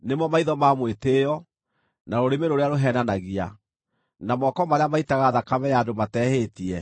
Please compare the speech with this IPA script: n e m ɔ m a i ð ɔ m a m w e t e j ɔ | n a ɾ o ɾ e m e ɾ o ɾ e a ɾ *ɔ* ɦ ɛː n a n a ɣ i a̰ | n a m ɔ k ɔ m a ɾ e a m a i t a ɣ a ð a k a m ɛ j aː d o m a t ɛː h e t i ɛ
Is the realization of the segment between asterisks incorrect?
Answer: yes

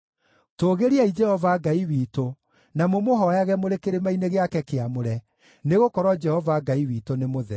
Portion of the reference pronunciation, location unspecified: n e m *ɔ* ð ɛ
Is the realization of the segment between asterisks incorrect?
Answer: yes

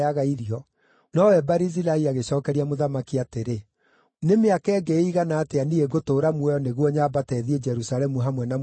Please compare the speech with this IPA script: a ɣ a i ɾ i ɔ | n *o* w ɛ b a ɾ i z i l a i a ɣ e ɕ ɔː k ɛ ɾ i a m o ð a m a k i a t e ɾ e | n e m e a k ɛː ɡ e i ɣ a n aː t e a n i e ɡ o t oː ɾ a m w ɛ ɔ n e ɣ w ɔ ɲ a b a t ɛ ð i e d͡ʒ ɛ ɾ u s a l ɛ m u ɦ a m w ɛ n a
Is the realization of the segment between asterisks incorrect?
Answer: yes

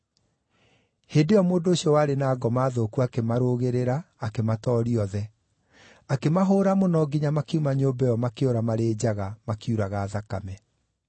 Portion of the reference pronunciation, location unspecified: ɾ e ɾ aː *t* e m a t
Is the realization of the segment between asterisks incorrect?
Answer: yes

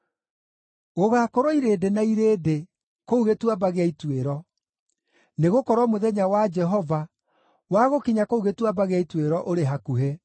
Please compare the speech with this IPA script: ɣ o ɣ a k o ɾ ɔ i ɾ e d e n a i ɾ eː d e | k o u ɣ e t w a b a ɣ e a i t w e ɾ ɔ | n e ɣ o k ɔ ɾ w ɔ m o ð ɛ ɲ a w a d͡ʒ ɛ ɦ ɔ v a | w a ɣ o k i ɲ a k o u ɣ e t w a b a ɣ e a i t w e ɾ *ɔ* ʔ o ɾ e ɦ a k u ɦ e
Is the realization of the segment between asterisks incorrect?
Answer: no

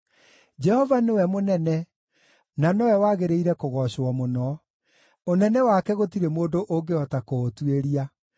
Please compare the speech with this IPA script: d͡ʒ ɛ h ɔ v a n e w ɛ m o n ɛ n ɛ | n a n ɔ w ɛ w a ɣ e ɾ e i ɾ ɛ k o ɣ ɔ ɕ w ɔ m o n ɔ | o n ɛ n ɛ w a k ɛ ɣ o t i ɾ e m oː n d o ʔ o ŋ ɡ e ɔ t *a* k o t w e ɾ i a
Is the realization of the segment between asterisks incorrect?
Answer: no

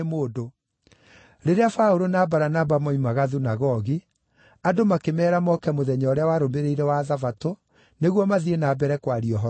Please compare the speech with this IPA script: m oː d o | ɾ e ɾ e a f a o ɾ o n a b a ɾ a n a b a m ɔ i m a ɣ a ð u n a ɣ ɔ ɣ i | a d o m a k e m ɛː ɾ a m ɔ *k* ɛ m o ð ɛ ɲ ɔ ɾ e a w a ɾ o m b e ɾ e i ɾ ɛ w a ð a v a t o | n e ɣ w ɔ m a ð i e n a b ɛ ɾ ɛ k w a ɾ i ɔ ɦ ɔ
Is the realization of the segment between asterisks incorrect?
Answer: no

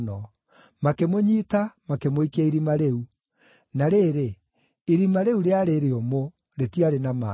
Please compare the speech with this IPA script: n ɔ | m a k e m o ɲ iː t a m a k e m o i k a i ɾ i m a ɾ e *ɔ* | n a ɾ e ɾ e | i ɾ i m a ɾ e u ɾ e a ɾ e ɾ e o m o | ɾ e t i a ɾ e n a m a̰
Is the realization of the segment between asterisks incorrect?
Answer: yes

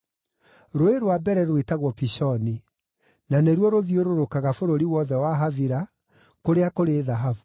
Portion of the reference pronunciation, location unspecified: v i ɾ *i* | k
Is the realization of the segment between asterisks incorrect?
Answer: yes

